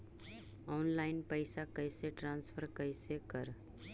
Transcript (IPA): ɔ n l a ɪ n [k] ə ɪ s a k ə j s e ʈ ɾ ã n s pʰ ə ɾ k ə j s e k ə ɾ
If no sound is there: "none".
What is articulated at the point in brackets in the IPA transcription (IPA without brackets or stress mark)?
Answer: p